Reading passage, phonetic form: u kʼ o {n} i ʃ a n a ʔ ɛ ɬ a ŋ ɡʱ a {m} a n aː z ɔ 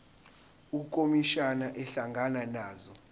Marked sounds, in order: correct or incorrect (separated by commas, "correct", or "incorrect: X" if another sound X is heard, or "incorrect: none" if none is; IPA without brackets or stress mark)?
incorrect: m, incorrect: n